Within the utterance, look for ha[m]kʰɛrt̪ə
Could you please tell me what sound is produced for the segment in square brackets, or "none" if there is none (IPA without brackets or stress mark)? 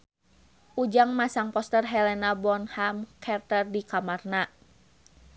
m